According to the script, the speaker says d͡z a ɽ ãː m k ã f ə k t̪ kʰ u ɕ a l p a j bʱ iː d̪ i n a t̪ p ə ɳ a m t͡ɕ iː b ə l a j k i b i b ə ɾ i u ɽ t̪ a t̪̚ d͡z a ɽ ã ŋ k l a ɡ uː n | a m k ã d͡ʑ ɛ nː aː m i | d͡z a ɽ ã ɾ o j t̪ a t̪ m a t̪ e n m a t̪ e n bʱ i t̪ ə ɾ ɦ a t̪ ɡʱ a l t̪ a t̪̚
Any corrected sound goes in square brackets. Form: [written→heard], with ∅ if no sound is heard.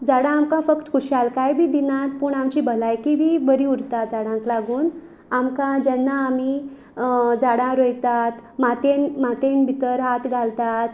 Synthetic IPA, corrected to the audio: d͡z a ɽ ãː m k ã f ə k t̪ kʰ u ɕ a l [p→k] a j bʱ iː d̪ i n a t̪ p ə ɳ a m t͡ɕ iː b ə l a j k i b i b ə ɾ i u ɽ t̪ a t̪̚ d͡z a ɽ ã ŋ k l a ɡ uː n | a m k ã d͡ʑ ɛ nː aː m i | d͡z a ɽ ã ɾ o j t̪ a t̪ m a t̪ e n m a t̪ e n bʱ i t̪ ə ɾ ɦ a t̪ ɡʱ a l t̪ a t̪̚